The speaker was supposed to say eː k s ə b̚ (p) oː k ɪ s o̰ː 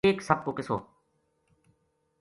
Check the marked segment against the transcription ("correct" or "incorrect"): incorrect